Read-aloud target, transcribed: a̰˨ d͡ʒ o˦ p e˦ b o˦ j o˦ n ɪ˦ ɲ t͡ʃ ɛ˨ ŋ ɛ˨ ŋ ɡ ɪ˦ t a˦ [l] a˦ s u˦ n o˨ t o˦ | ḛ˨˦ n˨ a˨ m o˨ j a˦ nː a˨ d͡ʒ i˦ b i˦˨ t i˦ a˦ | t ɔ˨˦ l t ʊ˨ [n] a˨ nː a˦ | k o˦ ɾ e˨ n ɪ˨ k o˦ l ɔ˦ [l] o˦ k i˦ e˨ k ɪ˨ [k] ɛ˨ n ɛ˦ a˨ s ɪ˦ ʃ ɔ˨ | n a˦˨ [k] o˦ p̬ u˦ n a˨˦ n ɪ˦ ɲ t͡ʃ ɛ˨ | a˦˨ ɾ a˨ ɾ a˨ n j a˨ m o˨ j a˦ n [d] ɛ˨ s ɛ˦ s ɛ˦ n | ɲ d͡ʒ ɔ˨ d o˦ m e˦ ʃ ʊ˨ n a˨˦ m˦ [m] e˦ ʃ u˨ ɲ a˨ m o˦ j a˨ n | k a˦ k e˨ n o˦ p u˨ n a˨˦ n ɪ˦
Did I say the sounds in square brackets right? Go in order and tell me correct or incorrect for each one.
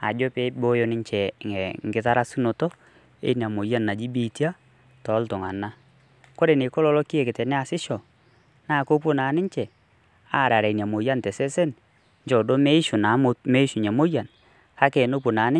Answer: incorrect: ɾ, incorrect: ŋ, correct, incorrect: t, correct, incorrect: t, correct

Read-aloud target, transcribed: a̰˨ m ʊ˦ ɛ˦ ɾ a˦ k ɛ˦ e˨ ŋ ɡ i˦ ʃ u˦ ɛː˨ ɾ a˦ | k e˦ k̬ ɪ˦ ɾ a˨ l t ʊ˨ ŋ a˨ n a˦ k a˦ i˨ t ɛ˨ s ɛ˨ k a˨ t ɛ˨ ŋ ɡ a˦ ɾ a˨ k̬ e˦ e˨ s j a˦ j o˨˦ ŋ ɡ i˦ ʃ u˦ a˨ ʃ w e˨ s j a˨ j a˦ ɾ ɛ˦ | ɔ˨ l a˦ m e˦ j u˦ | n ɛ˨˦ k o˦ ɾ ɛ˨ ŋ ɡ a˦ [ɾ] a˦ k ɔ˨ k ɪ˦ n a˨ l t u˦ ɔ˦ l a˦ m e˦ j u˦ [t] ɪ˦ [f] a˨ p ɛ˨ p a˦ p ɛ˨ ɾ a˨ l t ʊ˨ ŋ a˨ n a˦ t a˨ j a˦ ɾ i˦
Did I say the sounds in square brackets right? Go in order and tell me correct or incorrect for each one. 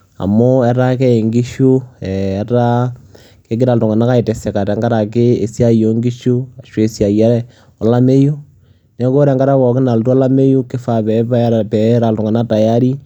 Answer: correct, incorrect: k, correct

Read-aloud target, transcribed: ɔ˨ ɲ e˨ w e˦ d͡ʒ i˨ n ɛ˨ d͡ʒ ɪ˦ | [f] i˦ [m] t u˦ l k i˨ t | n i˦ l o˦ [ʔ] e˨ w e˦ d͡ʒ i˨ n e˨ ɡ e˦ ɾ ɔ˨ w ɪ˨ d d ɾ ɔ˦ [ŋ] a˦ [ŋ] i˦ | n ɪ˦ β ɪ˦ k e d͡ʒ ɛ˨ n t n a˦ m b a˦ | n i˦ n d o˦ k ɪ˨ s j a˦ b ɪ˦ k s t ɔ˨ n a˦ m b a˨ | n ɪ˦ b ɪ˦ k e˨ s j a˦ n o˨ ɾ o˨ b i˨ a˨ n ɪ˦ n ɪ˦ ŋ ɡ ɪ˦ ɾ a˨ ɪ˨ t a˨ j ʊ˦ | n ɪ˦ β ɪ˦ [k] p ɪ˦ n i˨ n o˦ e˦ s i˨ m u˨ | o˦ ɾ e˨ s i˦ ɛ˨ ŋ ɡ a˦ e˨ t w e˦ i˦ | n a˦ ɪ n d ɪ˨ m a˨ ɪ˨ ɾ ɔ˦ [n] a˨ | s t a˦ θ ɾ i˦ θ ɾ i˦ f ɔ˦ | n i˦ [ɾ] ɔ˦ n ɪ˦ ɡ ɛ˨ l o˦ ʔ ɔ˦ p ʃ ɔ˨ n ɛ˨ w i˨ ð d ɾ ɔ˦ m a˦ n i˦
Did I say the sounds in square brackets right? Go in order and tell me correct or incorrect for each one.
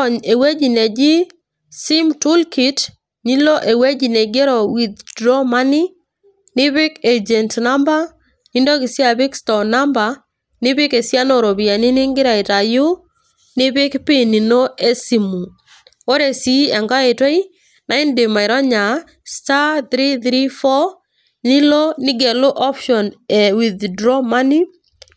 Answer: incorrect: s, correct, correct, incorrect: m, incorrect: n, correct, incorrect: ɲ, incorrect: l

